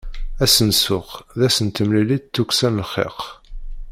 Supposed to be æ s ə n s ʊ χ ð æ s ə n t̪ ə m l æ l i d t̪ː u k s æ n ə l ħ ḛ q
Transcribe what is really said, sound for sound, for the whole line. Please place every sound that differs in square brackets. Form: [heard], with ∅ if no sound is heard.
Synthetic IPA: æ s ə n s ʊ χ ð æ s ə n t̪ ə m l [i] l i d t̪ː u k s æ n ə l [χ] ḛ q